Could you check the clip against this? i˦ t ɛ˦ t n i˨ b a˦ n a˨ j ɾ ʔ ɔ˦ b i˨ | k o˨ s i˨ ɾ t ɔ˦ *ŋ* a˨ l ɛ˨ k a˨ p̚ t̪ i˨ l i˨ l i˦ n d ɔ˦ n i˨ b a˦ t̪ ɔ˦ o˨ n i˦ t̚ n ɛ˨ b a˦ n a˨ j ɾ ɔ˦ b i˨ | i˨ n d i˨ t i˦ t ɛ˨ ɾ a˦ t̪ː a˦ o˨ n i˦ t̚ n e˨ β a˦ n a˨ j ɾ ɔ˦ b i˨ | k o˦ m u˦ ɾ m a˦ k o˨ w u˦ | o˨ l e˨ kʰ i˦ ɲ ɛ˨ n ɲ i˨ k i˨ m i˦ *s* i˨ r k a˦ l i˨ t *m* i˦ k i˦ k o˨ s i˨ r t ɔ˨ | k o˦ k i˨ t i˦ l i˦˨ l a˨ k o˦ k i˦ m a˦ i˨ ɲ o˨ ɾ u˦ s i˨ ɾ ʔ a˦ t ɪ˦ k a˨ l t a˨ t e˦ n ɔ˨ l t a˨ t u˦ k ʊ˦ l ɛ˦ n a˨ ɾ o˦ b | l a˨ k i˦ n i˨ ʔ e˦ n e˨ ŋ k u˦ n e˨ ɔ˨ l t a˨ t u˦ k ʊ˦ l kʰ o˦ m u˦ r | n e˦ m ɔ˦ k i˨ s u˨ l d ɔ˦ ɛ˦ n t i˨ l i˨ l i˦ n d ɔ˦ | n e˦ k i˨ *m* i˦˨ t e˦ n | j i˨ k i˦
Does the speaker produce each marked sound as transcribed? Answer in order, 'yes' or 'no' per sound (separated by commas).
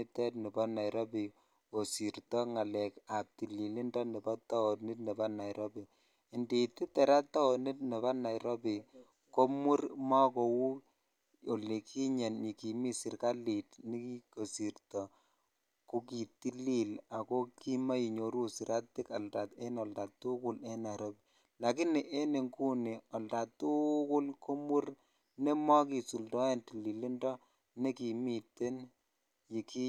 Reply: yes, yes, no, yes